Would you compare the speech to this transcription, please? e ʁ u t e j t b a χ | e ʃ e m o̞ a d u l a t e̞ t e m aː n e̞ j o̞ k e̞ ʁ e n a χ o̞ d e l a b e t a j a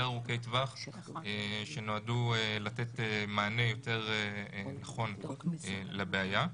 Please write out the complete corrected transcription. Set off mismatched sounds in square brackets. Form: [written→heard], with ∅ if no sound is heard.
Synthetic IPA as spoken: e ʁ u [t→k] e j t [b→v] a χ | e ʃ e [m→n] o̞ a d u l a t e̞ t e m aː n e̞ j o̞ [k→t] e̞ ʁ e n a χ o̞ [d→n] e l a b e [t→∅] a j a

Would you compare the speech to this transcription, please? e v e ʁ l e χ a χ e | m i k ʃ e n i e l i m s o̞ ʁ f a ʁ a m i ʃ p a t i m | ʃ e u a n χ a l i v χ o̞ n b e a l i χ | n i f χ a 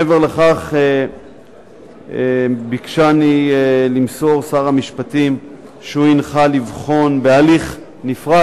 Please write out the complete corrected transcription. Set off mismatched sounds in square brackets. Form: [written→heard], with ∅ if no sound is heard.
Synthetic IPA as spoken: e v e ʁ l e χ a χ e | [m→b] i k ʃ [e→a] n i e l i m s o̞ ʁ [f→s] a ʁ a m i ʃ p a t i m | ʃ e u [a→i] n χ a l i v χ o̞ n b e a l i χ | n i f [χ→ʁ] a

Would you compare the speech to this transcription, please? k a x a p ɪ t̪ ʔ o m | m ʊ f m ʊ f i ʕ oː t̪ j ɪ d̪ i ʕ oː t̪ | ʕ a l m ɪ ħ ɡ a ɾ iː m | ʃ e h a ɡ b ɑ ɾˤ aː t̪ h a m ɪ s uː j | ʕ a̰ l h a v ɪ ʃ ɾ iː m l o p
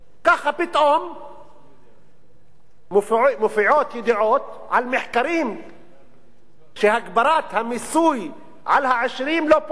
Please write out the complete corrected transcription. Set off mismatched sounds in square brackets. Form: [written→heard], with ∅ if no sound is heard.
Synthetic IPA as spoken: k a x a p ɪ t̪ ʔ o m | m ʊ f m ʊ f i ʕ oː t̪ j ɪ d̪ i ʕ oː t̪ | ʕ a l m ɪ ħ [ɡ→k] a ɾ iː m | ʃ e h a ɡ b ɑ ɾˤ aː t̪ h a m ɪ s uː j | ʕ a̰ l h a [v→ʕ] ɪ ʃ ɾ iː m l o p

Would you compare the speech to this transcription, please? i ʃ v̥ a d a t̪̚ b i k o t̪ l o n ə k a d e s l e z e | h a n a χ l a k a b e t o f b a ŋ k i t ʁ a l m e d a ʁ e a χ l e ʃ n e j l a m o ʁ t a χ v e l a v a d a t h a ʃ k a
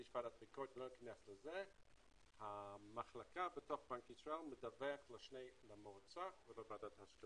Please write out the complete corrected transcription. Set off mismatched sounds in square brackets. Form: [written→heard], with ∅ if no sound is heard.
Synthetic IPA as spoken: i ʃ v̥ a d a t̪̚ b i k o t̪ l o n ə k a [d→n] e s l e z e | h a [n→m] a χ l a k a b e t o [f→χ] b a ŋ k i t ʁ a l m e d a [ʁ→v] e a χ l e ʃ n e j l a m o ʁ [t→t͡s] a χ v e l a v a d a t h a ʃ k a

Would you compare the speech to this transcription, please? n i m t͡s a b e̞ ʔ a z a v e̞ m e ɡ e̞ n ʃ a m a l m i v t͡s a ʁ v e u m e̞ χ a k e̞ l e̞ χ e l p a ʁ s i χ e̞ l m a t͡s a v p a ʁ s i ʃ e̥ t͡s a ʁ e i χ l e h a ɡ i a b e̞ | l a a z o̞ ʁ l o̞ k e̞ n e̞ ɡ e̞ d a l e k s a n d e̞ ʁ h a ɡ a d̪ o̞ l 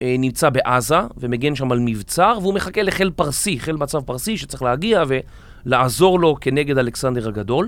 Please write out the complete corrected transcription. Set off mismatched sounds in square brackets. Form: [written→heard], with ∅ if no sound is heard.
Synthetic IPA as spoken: n i m t͡s a b e̞ ʔ a z a v e̞ m e ɡ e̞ n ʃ a m a l m i v t͡s a ʁ v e u m e̞ χ a k e̞ l e̞ χ e l p a ʁ s i χ e̞ l m a t͡s a v p a ʁ s i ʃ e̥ t͡s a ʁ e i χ l e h a ɡ i a [b→v] e̞ | l a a z o̞ ʁ l o̞ k e̞ n e̞ ɡ e̞ d a l e k s a n d e̞ ʁ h a ɡ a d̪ o̞ l

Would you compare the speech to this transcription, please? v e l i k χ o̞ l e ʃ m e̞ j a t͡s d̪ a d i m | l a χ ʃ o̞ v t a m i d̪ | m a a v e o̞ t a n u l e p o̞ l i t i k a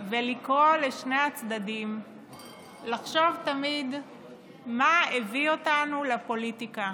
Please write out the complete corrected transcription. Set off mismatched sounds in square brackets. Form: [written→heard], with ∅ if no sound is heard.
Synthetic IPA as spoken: v e l i k [χ→ʁ] o̞ l e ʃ [m→n] e̞ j a t͡s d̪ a d i m | l a χ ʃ o̞ v t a m i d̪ | m a [a→e] v [e→i] o̞ t a n u l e p o̞ l i t i k a

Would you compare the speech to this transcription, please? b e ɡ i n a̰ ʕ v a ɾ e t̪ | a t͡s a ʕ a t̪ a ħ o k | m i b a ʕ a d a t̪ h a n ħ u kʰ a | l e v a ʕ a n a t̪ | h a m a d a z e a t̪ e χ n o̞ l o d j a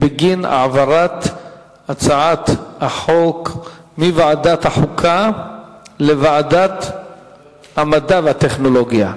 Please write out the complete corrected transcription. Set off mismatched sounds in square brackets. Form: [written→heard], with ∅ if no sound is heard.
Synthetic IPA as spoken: b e ɡ i n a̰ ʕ v a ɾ [e→a] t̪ | a t͡s a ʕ a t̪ a ħ o k | m i [b→v] a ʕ a d a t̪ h a [n→∅] ħ u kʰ a | l e v a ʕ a [n→d] a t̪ | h a m a d a [z→v] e a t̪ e χ n o̞ l o [d→ɡ] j a

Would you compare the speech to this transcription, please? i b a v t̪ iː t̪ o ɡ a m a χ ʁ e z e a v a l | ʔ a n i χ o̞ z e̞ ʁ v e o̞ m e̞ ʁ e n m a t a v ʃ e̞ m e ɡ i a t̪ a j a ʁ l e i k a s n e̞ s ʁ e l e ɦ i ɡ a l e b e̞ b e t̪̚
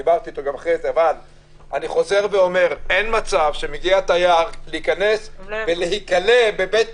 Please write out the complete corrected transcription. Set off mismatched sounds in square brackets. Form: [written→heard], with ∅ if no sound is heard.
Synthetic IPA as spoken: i b a [v→ʁ] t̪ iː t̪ o ɡ a m a χ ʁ e z e a v a l | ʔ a n i χ o̞ z e̞ ʁ v e o̞ m e̞ ʁ e n m a [t→t͡s] a v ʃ e̞ m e ɡ i a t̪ a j a ʁ l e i k a [s→∅] n e̞ s [ʁ→v] e l e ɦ i [ɡ→k] a l e b e̞ b e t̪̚

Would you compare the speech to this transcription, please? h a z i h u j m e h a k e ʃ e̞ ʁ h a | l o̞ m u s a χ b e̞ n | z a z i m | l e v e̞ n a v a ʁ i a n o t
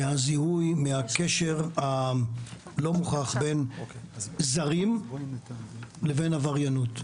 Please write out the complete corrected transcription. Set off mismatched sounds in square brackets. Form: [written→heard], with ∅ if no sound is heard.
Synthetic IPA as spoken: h a z i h u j m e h a k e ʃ e̞ ʁ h a | l o̞ m u [s→χ] a χ b e̞ n | z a [z→ʁ] i m | l e v e̞ n a v a ʁ [i→j] a n [o→u] t

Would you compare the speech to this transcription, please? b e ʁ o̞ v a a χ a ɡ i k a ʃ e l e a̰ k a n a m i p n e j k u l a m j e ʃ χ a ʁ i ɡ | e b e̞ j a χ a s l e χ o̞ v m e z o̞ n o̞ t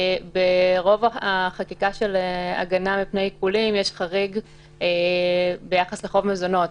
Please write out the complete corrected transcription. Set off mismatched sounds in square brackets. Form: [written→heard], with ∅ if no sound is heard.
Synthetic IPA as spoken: b e ʁ o̞ v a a χ a [ɡ→k] i k a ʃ e l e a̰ [k→ɡ] a n a m i p n e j k u l [a→i] m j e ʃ χ a ʁ i ɡ | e b e̞ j a χ a s l e χ o̞ v m e z o̞ n o̞ t

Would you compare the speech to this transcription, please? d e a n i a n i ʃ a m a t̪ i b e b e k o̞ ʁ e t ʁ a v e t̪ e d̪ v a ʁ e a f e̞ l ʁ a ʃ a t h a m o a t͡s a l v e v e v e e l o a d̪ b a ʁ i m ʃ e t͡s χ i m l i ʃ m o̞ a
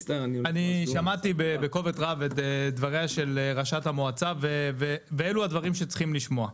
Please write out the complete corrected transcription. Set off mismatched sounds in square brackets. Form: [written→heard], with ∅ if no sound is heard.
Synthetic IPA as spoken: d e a n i a n i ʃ a m a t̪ i b e b e k o̞ [ʁ→v] e t ʁ a v e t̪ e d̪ v a ʁ e a [f→ʃ] e̞ l ʁ a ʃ a t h a m o a t͡s a [l→∅] v e v e v e e l [o→u] a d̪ [b→v] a ʁ i m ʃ e t͡s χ i m l i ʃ m o̞ a

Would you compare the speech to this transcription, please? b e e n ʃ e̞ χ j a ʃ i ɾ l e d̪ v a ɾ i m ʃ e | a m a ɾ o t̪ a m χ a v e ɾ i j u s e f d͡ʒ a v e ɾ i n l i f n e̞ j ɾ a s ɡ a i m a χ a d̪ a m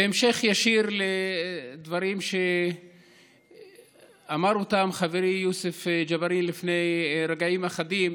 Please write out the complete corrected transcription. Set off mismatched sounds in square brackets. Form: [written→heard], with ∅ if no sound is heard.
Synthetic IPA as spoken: b e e [n→m] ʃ e̞ χ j a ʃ i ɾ l e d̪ v a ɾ i m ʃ e | a m a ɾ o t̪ a m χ a v e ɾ i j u s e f d͡ʒ a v [e→a] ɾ i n l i f n e̞ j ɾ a [s→∅] ɡ a i m a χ a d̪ [a→i] m

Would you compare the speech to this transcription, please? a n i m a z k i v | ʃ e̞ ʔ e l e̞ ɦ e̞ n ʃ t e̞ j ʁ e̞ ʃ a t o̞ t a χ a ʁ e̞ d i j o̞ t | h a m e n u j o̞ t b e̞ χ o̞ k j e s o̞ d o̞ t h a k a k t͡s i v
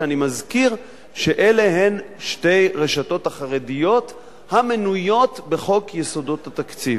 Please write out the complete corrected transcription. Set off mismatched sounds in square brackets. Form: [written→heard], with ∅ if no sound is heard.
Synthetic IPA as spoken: a n i m a z k i [v→ʁ] | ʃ e̞ ʔ e l e̞ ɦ e̞ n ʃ t e̞ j ʁ e̞ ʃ a t o̞ t a χ a ʁ e̞ d i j o̞ t | h a m e n u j o̞ t b e̞ χ o̞ k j e s o̞ d o̞ t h a [k→t] a k t͡s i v

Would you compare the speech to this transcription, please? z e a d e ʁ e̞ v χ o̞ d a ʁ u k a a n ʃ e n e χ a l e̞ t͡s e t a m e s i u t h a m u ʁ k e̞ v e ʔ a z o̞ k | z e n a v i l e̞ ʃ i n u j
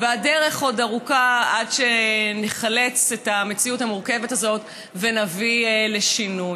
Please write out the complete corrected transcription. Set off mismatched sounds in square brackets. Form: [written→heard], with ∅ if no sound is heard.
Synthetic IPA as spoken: [z→v] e a d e ʁ e̞ [v→∅] χ o̞ d a ʁ u k a a [n→d] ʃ e n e χ a l e̞ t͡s e t a m e [s→t͡s] i u t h a m u ʁ k e̞ v e [ʔ→t] a z o̞ [k→t] | [z→v] e n a v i l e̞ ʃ i n u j

